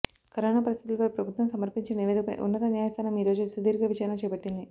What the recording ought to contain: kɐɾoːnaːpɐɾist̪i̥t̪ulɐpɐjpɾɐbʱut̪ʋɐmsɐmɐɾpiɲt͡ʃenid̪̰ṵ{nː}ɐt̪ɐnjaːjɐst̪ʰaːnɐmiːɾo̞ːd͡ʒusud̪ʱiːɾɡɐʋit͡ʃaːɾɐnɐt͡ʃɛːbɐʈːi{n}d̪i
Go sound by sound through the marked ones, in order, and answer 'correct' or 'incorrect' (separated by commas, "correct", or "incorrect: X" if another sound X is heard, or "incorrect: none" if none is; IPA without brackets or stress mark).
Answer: correct, correct